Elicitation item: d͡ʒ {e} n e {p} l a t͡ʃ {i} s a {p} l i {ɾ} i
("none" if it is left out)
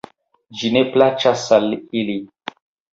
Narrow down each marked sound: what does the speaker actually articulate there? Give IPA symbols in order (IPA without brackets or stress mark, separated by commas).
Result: i, p, a, none, l